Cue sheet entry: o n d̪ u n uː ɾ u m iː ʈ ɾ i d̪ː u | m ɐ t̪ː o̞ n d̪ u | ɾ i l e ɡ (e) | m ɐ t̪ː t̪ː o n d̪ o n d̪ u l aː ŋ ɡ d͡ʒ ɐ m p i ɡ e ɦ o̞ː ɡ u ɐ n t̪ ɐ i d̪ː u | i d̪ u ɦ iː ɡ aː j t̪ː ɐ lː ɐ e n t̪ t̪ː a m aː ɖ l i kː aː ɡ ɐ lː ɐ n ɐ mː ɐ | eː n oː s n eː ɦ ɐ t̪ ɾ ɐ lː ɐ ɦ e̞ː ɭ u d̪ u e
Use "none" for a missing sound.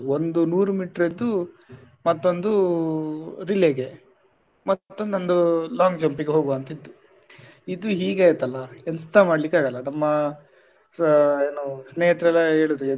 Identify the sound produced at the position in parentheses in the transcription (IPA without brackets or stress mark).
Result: e